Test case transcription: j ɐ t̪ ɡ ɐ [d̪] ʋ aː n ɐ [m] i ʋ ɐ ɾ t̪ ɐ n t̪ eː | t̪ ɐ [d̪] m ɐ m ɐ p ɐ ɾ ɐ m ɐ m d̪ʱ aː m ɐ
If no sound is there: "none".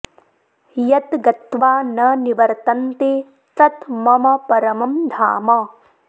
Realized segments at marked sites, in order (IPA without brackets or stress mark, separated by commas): t̪, n, t̪